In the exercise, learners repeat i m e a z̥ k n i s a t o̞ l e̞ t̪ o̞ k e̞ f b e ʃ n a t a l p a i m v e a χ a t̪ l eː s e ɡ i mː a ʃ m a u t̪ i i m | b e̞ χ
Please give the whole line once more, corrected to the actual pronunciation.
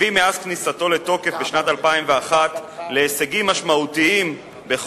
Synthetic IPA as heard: i m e a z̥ k n i s a t o̞ l e̞ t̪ o̞ k e̞ f b e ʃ n a t a l p a i m v e a χ a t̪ l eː s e ɡ i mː a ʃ m a u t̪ i i m | b e̞ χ